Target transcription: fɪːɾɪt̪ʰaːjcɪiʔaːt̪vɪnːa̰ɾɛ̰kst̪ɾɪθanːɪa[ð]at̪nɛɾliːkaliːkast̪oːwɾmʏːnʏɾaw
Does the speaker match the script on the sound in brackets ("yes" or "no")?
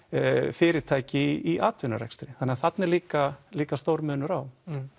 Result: no